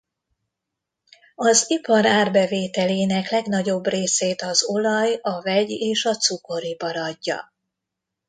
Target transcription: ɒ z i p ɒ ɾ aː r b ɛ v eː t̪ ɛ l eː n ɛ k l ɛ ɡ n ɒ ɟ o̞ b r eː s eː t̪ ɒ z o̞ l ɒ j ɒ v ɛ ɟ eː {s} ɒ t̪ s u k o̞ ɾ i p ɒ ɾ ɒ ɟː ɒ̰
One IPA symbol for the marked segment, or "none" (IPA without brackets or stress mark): ʃ